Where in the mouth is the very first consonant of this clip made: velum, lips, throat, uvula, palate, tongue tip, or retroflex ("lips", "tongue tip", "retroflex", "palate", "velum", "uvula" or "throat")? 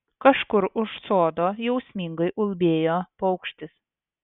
velum